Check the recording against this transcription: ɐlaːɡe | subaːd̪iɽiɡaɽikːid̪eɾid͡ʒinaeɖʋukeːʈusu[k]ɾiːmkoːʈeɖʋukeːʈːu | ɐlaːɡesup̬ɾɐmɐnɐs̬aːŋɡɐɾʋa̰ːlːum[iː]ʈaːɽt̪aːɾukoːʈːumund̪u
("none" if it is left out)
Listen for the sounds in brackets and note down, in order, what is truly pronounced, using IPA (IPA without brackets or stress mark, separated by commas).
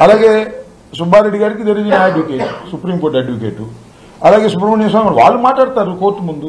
p, aː